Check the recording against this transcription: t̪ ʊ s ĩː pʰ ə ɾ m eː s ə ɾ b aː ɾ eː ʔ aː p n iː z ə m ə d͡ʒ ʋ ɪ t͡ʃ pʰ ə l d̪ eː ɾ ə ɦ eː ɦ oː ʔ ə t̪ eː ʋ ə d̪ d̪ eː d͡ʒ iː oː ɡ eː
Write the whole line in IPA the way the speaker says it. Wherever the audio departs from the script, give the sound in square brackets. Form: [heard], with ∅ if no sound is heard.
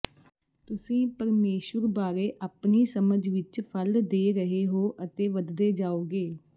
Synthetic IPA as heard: t̪ ʊ s ĩː [p] ə ɾ m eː [ʃ] ə ɾ b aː ɾ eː ʔ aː p n iː [s] ə m ə d͡ʒ ʋ ɪ t͡ʃ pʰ ə l d̪ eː ɾ ə ɦ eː ɦ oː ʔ ə t̪ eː ʋ ə d̪ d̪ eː d͡ʒ [aː] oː ɡ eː

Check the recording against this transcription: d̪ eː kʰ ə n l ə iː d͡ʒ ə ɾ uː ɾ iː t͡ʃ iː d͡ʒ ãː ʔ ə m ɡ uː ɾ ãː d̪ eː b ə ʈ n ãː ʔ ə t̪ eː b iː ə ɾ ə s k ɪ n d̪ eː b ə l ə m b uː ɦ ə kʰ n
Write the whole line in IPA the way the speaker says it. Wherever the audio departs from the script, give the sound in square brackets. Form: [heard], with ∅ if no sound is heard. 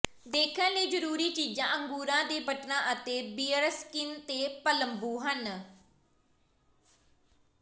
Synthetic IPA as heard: d̪ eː kʰ ə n l ə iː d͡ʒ ə ɾ uː ɾ iː t͡ʃ iː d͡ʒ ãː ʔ ə [ŋ] ɡ uː ɾ ãː d̪ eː b ə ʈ n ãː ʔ ə t̪ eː b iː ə ɾ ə s k ɪ n [t̪] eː [p] ə l ə m b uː ɦ ə [∅] n

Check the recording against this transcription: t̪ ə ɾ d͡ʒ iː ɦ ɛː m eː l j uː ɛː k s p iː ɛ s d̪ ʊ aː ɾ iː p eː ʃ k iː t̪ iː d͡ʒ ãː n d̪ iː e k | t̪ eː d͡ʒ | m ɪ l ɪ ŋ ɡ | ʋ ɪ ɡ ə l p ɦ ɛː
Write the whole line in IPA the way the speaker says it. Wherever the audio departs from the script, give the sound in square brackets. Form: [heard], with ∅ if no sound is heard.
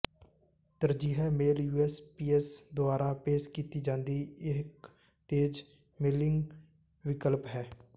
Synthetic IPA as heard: t̪ ə ɾ d͡ʒ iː ɦ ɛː m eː l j uː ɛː [∅] s p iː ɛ s d̪ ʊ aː ɾ [aː] p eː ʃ k iː t̪ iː d͡ʒ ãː n d̪ iː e k | t̪ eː d͡ʒ | m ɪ l ɪ ŋ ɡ | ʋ ɪ [k] ə l p ɦ ɛː

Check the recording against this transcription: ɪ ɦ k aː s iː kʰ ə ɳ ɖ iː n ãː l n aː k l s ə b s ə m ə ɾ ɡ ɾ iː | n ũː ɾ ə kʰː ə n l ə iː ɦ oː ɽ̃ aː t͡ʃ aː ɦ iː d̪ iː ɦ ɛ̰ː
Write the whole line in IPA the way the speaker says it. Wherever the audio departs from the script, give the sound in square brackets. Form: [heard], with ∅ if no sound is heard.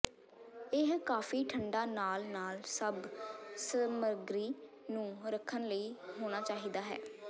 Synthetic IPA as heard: ɪ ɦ k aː [f] iː [ʈʰ] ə ɳ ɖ [aː] n [aː] l n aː [∅] l s ə b s ə m ə ɾ ɡ ɾ iː | n ũː ɾ ə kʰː ə n l ə iː ɦ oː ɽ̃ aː t͡ʃ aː ɦ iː d̪ [aː] ɦ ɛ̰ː

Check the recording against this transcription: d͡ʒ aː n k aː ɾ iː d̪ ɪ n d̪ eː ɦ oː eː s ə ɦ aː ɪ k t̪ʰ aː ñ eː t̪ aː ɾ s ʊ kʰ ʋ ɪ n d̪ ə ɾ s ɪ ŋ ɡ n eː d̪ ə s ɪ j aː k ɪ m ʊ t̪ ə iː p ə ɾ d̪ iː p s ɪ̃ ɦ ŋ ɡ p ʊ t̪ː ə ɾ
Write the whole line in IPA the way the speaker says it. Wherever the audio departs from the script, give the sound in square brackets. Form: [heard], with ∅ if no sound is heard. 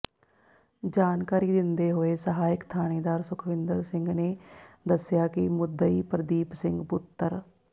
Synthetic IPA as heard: d͡ʒ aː n k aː ɾ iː d̪ ɪ n d̪ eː ɦ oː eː s ə ɦ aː ɪ k t̪ʰ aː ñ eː [d̪] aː ɾ s ʊ kʰ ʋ ɪ n d̪ ə ɾ s ɪ ŋ ɡ n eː d̪ ə s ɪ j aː k ɪ m ʊ [d̪] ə iː p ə ɾ d̪ iː p s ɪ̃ [∅] ŋ ɡ p ʊ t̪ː ə ɾ

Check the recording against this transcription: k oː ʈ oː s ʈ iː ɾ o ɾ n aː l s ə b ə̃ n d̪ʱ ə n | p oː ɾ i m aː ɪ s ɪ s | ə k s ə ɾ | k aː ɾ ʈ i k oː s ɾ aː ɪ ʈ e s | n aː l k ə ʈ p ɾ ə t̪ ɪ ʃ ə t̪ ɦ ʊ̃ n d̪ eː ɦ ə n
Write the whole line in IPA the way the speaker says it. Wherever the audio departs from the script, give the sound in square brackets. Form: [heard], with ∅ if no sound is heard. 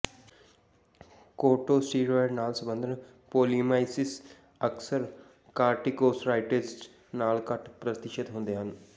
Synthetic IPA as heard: k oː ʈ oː s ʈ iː ɾ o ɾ n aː l s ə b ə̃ n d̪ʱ ə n | p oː [l] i m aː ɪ s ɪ s | ə k s ə ɾ | k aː ɾ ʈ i k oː s ɾ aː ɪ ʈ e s | n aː l k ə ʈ p ɾ ə t̪ ɪ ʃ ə t̪ ɦ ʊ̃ n d̪ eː ɦ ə n

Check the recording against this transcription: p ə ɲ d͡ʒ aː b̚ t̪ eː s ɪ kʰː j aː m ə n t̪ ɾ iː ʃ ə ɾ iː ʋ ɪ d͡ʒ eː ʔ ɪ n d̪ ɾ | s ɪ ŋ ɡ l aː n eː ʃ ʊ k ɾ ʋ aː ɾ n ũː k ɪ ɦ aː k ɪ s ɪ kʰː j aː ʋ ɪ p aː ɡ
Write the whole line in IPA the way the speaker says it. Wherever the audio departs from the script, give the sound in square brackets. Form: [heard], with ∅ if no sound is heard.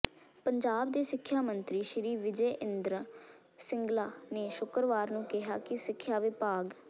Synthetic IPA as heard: p ə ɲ d͡ʒ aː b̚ [d̪] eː s ɪ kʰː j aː m ə n t̪ ɾ iː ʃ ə ɾ iː ʋ ɪ d͡ʒ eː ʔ ɪ n d̪ ɾ | s ɪ ŋ ɡ l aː n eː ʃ ʊ k ɾ ʋ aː ɾ n ũː k ɪ ɦ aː k ɪ s ɪ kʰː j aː ʋ ɪ p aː ɡ

